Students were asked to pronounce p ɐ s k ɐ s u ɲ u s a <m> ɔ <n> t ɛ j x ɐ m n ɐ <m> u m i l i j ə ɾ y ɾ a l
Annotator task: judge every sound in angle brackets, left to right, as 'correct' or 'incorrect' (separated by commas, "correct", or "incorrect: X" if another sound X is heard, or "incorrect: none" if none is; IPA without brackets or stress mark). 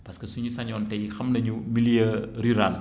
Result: incorrect: ɲ, correct, incorrect: ɲ